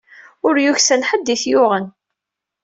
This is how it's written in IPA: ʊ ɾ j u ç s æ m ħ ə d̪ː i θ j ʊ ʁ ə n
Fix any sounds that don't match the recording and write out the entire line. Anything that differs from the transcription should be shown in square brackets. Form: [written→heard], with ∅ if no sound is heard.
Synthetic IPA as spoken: ʊ ɾ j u ç s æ [m→n] ħ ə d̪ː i θ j ʊ ʁ ə n